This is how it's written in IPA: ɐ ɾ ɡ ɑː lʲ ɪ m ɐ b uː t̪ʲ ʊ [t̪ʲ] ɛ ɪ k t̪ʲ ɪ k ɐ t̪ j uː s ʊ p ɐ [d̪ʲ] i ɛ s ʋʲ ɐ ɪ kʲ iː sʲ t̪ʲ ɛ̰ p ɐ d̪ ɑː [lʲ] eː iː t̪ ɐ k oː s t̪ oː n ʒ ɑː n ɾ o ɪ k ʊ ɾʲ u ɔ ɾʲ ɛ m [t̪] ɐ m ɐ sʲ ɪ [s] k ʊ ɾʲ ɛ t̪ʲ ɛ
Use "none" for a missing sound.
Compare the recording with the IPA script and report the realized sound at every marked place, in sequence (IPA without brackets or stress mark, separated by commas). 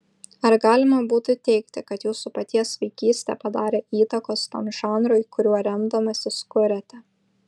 t̪ʲ, t̪ʲ, ɾʲ, d̪, s